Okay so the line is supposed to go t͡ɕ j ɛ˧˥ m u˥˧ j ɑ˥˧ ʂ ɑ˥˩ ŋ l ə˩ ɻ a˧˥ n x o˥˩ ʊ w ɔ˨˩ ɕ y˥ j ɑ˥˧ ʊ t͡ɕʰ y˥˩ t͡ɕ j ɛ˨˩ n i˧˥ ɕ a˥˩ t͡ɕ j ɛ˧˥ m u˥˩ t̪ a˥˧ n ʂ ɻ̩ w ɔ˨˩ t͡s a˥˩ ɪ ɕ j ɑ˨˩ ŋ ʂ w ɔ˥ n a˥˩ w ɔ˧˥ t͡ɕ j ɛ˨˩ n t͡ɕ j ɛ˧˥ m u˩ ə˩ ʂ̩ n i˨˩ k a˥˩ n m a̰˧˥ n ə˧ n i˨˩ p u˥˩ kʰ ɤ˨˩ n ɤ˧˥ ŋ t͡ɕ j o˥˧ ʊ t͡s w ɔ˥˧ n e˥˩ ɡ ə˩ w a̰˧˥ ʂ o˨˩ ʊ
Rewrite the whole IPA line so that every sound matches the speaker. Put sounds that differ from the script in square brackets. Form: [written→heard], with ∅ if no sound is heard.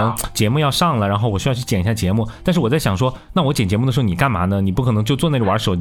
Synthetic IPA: t͡ɕ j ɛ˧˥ m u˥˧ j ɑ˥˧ ʂ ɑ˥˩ ŋ l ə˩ ɻ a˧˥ n x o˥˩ ʊ w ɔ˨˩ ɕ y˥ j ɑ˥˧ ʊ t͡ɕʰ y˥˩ t͡ɕ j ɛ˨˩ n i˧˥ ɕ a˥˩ t͡ɕ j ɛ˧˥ m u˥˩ t̪ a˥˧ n ʂ ɻ̩ w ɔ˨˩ t͡s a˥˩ ɪ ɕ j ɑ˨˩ ŋ ʂ w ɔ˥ n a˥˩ w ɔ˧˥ t͡ɕ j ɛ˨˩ n t͡ɕ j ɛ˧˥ m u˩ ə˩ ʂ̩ n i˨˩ k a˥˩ n m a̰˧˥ n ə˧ n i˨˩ p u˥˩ kʰ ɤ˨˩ n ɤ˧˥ ŋ t͡ɕ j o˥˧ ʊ t͡s w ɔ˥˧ n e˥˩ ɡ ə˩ w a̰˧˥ ʂ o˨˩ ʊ